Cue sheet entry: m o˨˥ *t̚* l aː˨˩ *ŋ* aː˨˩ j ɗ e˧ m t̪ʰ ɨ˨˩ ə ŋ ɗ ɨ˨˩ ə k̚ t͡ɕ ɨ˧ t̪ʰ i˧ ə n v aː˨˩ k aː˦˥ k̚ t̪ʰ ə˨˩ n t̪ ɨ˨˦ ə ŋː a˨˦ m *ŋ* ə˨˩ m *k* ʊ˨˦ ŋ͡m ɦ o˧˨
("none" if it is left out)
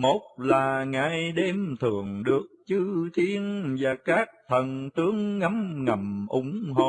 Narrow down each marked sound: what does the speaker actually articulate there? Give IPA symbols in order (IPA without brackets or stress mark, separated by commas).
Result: t̚, ŋ, ŋ, ʔ